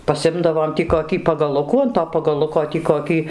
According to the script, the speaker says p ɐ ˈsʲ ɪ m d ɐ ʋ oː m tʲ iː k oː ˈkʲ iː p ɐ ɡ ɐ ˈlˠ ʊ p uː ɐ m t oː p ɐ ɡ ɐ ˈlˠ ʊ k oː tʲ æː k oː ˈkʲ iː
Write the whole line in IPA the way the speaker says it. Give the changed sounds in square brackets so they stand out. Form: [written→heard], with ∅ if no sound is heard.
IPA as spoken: p ɐ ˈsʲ ɪ m d ɐ ʋ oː m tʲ iː k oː ˈkʲ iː p ɐ ɡ ɐ ˈlˠ ʊ [p→k] uː ɐ [m→n] t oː p ɐ ɡ ɐ ˈlˠ ʊ k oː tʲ [æː→iː] k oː ˈkʲ iː